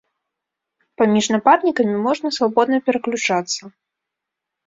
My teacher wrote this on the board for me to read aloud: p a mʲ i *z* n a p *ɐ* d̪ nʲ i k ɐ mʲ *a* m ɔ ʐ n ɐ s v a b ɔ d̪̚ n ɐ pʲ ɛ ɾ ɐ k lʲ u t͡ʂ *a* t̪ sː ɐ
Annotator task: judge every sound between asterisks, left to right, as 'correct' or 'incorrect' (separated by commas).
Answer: incorrect, incorrect, incorrect, correct